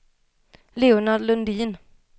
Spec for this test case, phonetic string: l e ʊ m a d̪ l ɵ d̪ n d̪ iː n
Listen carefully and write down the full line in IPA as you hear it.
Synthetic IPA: l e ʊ n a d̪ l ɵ n d̪ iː n